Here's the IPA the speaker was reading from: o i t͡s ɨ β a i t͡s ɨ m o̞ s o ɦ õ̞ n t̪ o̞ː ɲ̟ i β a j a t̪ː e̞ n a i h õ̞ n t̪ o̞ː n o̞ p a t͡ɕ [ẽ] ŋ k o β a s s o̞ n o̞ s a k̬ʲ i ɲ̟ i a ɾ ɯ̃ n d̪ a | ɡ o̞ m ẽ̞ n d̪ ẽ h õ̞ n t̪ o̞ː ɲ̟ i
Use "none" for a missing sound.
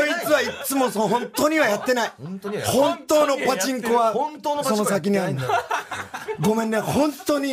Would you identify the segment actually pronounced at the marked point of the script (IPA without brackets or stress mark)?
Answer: ĩ